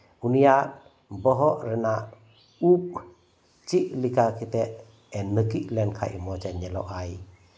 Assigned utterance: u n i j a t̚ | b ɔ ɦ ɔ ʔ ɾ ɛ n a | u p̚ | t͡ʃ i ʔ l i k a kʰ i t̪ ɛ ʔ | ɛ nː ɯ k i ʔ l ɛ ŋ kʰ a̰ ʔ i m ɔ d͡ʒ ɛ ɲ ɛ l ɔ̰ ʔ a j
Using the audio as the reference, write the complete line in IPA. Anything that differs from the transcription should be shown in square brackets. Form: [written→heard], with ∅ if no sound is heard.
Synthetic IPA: u n i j a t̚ | b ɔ ɦ ɔ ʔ ɾ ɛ n a | u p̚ | t͡ʃ i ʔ l i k a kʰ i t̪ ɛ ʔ | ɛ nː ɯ k i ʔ l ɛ [ŋ→n] kʰ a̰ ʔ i m ɔ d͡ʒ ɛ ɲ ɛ l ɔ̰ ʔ a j